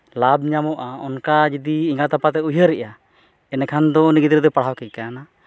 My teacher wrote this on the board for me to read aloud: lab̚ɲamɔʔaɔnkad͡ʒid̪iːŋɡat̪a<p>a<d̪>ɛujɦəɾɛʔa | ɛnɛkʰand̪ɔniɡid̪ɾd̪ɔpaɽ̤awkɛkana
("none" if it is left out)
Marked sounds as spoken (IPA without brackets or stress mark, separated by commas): p, t̪